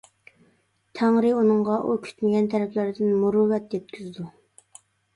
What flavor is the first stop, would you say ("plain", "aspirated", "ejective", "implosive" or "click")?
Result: aspirated